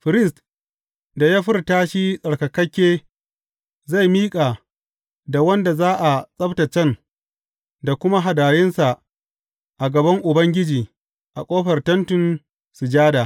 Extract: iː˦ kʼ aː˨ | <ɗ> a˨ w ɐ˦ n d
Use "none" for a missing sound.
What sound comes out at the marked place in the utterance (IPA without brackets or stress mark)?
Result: d